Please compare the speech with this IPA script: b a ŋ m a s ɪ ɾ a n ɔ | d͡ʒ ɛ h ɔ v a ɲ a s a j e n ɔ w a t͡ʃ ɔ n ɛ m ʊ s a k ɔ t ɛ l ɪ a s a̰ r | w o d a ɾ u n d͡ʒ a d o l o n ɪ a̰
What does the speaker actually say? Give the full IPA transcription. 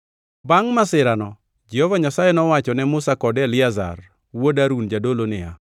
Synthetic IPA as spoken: b a ŋ m a s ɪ ɾ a n ɔ | d͡ʒ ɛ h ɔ v a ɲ a s a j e n ɔ w a t͡ʃ ɔ n ɛ m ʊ s a k ɔ d ɛ l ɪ a z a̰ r | w o d a ɾ u n d͡ʒ a d o l o n ɪ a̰